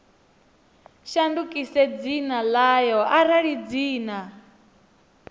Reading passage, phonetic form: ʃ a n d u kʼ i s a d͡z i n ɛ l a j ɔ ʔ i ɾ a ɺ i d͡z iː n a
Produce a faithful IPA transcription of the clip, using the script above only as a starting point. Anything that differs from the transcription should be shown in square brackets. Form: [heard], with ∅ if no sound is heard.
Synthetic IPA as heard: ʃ a n d u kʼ i s [ɛ] d͡z i n [a] l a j ɔ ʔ [a] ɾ a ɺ i d͡z iː n a